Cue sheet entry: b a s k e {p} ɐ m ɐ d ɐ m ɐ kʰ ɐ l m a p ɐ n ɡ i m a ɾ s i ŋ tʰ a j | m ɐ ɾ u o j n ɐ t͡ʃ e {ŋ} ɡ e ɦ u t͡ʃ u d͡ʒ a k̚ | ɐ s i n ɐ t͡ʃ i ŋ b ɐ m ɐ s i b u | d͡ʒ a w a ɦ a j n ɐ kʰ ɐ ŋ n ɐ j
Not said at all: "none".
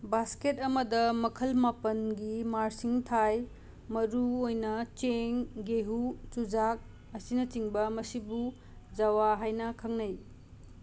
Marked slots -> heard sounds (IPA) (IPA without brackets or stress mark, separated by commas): t, ŋ